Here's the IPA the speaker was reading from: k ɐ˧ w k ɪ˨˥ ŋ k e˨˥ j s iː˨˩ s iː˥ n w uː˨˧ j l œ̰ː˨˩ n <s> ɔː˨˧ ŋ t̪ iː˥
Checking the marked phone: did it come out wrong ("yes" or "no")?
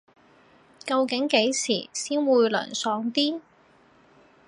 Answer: no